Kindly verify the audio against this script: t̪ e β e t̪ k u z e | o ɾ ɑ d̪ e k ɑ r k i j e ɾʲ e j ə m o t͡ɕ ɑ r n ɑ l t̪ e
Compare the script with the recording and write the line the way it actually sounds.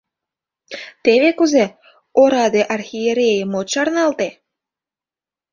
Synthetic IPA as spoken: t̪ e β e k u z e | o ɾ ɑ d̪ e ʔ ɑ r x i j e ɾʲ e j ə m o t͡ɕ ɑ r n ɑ l t̪ e

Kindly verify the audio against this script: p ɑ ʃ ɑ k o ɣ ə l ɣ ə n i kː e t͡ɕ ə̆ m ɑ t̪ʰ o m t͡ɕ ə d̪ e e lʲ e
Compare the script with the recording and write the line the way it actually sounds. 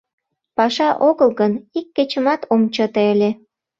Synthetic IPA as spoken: p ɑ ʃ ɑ ʔ o ɣ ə l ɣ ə n i kː e t͡ɕ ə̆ m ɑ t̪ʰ o m t͡ɕ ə t̪ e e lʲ e

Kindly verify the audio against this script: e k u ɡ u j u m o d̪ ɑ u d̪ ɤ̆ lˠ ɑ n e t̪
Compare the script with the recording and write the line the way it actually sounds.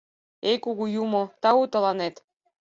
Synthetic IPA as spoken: e k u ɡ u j u m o t̪ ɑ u t̪ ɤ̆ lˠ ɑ n e t̪

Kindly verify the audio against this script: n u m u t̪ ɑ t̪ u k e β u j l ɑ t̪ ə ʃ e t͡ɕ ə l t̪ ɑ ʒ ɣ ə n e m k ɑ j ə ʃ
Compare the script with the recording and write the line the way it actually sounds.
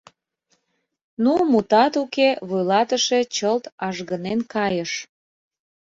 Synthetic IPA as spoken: n u m u t̪ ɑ t̪ u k e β u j l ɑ t̪ ə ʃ e t͡ɕ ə l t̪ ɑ ʒ ɣ ə n e n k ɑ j ə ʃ

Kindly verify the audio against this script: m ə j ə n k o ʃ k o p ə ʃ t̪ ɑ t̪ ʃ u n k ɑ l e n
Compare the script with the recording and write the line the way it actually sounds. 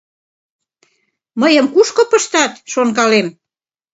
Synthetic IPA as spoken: m ə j ə m k u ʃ k o p ə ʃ t̪ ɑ t̪ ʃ o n k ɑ l e m

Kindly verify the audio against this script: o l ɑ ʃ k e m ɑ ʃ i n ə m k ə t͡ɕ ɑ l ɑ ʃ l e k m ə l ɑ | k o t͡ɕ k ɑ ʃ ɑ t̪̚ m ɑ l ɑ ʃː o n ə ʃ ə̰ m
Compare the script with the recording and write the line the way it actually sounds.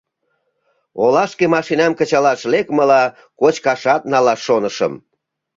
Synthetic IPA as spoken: o l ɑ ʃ k e m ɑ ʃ i n ɑ m k ə t͡ɕ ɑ l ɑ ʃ l e k m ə l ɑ | k o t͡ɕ k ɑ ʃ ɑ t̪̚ n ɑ l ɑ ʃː o n ə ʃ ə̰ m

